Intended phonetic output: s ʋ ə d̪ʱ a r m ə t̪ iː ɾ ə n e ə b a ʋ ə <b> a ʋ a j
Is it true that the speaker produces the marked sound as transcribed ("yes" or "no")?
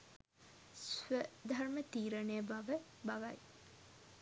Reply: yes